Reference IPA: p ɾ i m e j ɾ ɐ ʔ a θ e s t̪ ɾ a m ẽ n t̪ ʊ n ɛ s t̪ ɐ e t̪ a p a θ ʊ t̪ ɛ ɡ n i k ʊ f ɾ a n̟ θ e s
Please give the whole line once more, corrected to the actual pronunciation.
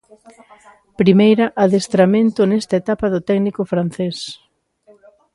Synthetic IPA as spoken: p ɾ i m e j ɾ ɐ ʔ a ð e s t̪ ɾ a m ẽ n t̪ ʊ n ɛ s t̪ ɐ e t̪ a p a ð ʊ t̪ ɛ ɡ n i k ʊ f ɾ a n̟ θ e s